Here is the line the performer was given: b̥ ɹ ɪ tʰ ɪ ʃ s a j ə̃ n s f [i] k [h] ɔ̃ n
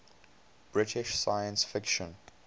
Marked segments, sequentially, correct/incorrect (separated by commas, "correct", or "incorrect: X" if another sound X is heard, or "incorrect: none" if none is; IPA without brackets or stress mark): incorrect: ɪ, incorrect: ʃ